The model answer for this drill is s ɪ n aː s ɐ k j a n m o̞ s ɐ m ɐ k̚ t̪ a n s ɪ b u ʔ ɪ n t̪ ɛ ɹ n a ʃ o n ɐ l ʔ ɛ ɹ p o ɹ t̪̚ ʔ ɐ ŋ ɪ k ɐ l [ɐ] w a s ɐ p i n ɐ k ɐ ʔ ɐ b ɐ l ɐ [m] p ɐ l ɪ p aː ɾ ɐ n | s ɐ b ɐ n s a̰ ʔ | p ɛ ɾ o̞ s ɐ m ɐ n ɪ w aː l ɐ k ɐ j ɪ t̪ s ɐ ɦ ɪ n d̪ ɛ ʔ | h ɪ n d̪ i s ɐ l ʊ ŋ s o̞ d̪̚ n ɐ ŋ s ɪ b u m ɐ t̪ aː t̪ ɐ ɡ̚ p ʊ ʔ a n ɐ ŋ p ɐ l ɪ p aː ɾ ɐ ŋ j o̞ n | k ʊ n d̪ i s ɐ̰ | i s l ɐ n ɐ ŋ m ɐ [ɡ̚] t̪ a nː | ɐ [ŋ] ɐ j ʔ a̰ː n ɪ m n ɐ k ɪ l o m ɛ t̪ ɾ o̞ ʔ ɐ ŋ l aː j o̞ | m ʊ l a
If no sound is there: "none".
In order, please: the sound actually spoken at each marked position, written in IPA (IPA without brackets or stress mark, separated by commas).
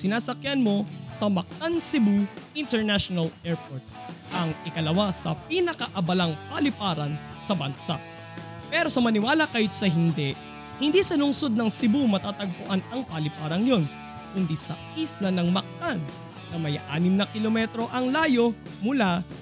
ɐ, ŋ, k̚, m